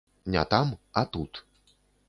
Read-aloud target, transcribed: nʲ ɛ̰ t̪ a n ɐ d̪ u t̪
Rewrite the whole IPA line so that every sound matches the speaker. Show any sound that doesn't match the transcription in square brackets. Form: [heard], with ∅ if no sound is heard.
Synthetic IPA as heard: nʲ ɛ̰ t̪ a [m] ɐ [t̪] u t̪